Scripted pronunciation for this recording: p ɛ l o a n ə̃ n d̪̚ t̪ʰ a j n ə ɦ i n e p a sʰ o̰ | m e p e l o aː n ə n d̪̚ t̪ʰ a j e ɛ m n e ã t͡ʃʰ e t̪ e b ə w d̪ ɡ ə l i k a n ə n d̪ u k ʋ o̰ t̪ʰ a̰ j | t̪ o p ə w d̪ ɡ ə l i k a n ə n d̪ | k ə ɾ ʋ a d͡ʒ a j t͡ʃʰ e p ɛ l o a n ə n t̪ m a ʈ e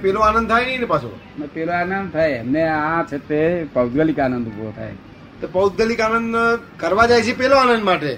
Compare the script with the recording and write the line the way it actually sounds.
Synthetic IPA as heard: p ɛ l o a n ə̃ n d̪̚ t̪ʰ a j n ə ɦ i n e p a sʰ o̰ | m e p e l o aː n ə n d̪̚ t̪ʰ a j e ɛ m n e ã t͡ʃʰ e t̪ e p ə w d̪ ɡ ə l i k a n ə n d̪ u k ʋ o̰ t̪ʰ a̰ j | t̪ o p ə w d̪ ɡ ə l i k a n ə n d̪ | k ə ɾ ʋ a d͡ʒ a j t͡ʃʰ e p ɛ l o a n ə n d̪ m a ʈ e